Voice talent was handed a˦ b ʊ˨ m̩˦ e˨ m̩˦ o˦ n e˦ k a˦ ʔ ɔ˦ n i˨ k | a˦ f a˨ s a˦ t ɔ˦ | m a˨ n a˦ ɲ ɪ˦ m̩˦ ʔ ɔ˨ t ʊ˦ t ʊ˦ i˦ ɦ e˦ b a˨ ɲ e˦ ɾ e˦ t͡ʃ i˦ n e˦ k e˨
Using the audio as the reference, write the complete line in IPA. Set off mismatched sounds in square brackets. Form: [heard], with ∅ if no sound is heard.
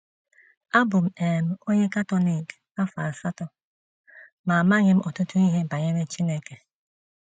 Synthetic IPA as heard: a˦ b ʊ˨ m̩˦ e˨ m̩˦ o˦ [ɲ] e˦ k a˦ [t] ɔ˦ n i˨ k | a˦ f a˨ s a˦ t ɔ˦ | m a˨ [m] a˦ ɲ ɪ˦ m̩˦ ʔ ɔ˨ t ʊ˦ t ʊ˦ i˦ ɦ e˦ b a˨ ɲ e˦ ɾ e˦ t͡ʃ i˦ n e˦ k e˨